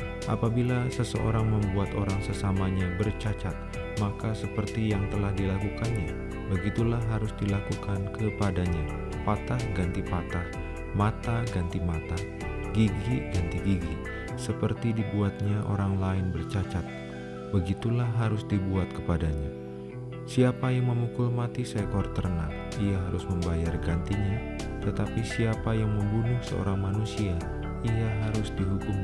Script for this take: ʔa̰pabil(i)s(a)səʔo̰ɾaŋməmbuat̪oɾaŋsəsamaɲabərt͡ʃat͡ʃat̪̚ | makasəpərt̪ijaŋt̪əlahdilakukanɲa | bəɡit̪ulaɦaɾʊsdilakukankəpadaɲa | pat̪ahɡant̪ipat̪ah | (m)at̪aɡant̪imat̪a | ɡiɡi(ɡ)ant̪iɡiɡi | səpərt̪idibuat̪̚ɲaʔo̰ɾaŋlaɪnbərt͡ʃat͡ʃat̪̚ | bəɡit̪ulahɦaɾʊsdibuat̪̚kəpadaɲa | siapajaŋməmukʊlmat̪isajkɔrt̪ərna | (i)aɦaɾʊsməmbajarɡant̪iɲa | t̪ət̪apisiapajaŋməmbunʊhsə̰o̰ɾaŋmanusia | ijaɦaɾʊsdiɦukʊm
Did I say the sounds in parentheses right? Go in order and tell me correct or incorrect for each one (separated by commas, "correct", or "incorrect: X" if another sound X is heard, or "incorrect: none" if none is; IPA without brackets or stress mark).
incorrect: a, incorrect: ə, correct, correct, correct